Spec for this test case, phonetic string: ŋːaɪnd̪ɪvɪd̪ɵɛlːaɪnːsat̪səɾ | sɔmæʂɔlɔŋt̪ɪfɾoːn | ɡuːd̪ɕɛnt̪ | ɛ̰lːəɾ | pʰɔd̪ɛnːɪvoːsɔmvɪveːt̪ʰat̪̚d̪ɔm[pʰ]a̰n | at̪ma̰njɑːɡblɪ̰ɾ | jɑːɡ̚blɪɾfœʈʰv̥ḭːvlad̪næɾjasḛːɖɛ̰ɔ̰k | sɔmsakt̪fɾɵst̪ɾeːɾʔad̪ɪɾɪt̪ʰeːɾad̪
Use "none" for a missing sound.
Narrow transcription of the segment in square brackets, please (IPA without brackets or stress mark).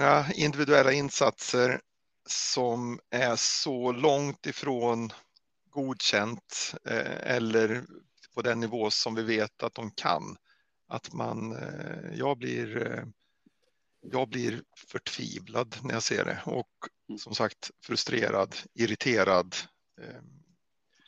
kʰ